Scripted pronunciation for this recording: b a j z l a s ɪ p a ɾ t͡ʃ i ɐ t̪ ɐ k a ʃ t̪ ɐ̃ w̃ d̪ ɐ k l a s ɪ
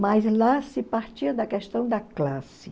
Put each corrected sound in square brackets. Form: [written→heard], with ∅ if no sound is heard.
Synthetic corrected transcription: [b→m] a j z l a s ɪ p a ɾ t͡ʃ i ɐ [t̪→d̪] ɐ k [a→ɛ] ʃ t̪ ɐ̃ w̃ d̪ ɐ k l a s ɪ